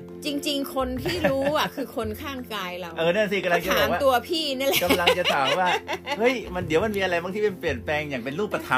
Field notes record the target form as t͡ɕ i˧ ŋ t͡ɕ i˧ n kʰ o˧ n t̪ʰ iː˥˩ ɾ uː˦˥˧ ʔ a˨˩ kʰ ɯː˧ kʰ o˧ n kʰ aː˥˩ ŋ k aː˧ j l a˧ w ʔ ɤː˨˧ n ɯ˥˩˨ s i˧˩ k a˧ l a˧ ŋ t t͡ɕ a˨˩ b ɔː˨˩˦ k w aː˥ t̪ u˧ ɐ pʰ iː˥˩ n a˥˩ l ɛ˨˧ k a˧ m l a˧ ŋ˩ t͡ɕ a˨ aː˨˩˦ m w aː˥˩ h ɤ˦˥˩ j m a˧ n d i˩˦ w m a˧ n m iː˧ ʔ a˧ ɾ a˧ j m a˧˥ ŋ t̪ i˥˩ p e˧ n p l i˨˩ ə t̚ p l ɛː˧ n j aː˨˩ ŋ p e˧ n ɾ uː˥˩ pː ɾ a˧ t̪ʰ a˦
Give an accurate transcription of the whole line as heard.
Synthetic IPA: t͡ɕ i˧ ŋ t͡ɕ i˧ ŋ kʰ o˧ n t̪ʰ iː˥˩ ɾ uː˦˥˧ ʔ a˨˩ kʰ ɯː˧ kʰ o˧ n kʰ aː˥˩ ŋ k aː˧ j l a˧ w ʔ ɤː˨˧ n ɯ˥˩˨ s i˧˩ k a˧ l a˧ ŋ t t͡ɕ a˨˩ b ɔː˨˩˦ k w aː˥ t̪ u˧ ɐ pʰ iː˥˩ n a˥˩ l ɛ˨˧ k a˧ m l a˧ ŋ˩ t͡ɕ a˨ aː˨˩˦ m w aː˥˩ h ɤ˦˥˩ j m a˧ n d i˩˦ w m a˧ n m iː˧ ʔ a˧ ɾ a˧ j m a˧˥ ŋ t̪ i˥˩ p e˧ n p l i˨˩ ə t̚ p l ɛː˧ ŋ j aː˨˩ ŋ p e˧ n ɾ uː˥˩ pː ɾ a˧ t̪ʰ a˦